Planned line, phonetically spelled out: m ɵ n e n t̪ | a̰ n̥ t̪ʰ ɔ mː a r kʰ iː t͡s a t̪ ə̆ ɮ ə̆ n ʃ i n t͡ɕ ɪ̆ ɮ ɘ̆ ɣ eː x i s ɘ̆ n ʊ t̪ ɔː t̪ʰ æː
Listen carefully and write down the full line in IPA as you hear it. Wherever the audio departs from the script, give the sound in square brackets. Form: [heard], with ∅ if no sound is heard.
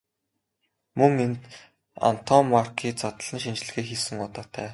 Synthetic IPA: m ɵ [ŋ] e n t̪ | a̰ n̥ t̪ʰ ɔ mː a r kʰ iː t͡s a t̪ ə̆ ɮ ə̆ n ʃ i n t͡ɕ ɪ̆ ɮ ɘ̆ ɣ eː x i s ɘ̆ [ŋ] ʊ t̪ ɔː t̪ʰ æː